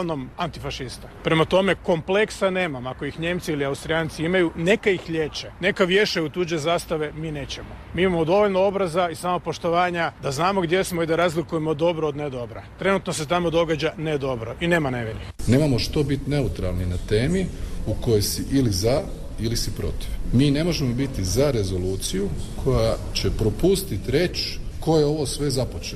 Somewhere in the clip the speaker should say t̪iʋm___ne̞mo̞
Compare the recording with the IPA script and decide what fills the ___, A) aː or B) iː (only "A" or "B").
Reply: B